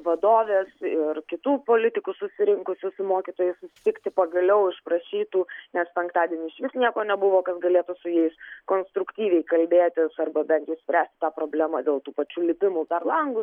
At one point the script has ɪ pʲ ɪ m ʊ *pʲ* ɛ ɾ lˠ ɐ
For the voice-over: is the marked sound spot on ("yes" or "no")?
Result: yes